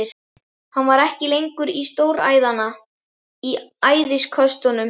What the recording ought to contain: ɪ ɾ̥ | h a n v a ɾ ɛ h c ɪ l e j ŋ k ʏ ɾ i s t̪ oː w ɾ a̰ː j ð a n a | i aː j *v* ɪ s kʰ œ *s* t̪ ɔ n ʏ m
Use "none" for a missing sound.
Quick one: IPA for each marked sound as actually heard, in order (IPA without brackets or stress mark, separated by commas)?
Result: ð, s